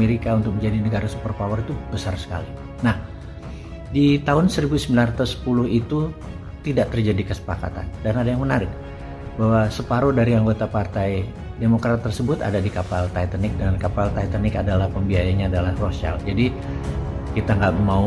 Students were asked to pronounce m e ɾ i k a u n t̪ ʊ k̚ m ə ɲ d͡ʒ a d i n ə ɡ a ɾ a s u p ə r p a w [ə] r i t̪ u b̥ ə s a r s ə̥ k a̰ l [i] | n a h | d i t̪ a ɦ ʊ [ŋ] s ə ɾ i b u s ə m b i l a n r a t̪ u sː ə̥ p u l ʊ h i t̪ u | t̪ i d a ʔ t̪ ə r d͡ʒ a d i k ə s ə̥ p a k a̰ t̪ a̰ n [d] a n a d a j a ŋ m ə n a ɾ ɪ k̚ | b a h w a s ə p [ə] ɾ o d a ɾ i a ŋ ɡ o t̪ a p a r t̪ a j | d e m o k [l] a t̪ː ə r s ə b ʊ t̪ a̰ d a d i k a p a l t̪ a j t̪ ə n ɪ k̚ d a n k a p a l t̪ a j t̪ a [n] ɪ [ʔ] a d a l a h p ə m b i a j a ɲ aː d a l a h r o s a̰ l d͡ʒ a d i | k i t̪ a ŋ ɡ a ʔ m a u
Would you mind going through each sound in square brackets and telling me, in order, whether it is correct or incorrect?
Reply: correct, correct, incorrect, correct, incorrect, incorrect, correct, incorrect

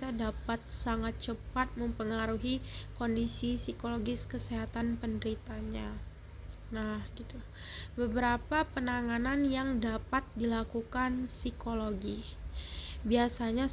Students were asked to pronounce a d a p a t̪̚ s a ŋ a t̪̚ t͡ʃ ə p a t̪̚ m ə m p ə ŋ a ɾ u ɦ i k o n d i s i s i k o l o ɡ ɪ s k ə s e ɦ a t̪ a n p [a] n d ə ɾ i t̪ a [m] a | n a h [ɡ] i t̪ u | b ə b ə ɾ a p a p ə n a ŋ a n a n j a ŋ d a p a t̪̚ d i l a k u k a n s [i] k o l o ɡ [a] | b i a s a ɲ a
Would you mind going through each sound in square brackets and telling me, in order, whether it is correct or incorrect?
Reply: incorrect, incorrect, correct, correct, incorrect

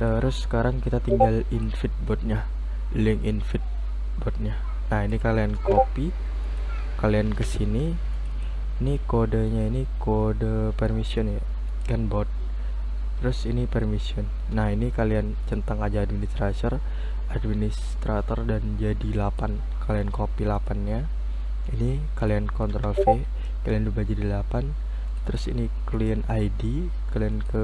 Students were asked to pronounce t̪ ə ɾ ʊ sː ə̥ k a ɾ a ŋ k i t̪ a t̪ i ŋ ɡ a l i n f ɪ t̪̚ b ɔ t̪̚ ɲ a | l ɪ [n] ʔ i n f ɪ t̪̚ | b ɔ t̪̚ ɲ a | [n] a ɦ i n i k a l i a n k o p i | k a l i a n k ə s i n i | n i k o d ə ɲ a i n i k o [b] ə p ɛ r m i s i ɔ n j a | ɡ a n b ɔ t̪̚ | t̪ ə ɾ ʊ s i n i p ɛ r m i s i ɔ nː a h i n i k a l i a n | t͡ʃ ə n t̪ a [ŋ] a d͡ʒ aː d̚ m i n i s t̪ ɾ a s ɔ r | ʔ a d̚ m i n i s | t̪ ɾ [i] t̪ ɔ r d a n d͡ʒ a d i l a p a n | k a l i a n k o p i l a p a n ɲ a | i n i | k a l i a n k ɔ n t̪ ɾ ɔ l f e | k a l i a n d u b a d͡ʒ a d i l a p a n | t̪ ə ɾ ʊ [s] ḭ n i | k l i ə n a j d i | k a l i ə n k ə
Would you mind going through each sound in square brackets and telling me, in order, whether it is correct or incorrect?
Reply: incorrect, correct, incorrect, correct, incorrect, correct

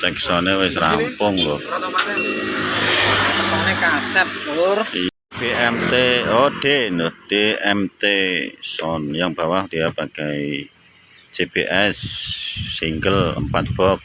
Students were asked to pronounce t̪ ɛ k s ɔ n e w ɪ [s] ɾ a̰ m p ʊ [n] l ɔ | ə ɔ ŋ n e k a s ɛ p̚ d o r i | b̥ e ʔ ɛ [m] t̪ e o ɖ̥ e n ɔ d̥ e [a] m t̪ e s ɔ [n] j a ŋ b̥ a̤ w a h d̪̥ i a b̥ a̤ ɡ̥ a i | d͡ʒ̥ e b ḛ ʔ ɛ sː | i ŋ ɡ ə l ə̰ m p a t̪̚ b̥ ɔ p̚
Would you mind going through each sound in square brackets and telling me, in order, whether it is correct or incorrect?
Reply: correct, incorrect, correct, incorrect, correct

